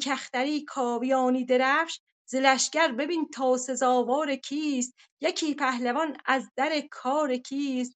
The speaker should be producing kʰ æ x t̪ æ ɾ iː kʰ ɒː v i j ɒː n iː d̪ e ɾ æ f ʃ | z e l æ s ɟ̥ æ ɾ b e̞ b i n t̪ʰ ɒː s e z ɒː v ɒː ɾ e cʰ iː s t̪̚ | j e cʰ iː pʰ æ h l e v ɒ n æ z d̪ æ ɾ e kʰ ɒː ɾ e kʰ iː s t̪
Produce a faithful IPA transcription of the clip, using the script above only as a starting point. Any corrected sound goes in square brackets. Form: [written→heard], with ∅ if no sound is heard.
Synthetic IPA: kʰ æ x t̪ æ ɾ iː kʰ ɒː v i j ɒː n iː d̪ e ɾ æ f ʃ | z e l æ [s→ʃ] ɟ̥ æ ɾ b e̞ b i n t̪ʰ ɒː s e z ɒː v ɒː ɾ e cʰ iː s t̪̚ | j e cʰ iː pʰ æ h l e v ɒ n æ z d̪ æ ɾ e kʰ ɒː ɾ e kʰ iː s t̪